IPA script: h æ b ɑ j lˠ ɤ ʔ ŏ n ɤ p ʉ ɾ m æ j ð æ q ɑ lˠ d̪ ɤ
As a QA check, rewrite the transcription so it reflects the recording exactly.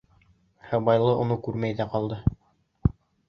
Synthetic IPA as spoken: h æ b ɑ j lˠ ɤ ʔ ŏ n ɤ k ʉ ɾ m æ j ð æ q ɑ lˠ d̪ ɤ